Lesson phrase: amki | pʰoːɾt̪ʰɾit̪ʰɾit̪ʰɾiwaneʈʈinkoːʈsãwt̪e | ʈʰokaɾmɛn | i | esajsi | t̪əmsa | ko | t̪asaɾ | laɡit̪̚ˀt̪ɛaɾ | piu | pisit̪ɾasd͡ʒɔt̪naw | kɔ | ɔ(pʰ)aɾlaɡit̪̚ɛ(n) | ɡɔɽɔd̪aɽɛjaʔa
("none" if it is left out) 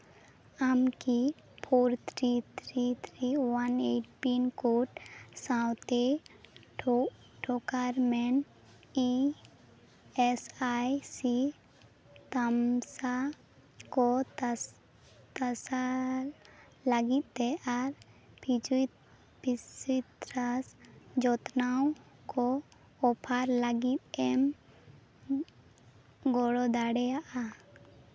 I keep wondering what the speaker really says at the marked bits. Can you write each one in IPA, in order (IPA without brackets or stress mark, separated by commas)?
pʰ, m